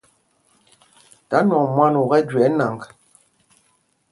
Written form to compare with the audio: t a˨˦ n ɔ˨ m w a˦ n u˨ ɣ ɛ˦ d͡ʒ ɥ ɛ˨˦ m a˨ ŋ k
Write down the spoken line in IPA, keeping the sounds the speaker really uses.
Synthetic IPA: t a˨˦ n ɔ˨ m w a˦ n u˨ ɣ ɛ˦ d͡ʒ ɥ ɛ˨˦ n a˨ ŋ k